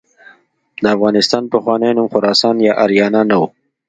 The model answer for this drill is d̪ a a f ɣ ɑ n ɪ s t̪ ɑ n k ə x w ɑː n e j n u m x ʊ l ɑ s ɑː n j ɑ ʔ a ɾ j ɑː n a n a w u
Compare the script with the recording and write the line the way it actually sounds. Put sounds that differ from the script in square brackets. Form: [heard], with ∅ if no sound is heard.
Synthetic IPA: d̪ [ə] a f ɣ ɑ n ɪ s t̪ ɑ n [p] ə x w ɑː n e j n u m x ʊ [ɾ] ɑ s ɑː n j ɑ ʔ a ɾ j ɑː n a n a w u